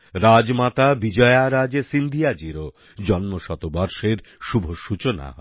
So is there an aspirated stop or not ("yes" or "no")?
no